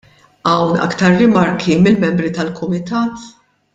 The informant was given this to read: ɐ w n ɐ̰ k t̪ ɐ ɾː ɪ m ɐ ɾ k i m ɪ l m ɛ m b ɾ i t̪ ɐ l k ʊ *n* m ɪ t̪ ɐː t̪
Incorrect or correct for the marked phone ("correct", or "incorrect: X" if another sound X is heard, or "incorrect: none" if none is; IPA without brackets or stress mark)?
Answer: incorrect: none